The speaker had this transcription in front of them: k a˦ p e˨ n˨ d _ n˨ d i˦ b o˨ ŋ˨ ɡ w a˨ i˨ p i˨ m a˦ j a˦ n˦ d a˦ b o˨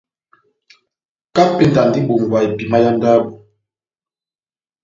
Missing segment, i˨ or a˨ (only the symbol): a˨